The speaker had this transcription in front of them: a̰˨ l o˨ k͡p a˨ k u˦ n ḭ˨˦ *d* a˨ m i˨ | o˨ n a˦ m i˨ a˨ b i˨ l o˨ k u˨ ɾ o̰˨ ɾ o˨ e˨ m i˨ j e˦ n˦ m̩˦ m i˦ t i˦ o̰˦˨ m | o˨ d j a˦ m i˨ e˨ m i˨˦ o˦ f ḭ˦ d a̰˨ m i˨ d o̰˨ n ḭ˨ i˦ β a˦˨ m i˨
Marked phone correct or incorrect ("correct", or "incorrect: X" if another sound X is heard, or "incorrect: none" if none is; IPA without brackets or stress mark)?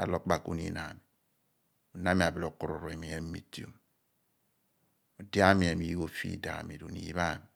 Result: incorrect: n